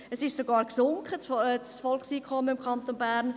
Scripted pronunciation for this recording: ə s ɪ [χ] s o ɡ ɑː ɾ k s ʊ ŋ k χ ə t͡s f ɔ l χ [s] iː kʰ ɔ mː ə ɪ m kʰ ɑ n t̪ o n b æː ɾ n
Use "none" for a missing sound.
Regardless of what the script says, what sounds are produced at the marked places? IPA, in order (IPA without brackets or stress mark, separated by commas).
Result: ʃ, s